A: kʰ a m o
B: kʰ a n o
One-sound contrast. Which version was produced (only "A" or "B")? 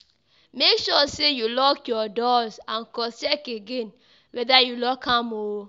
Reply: A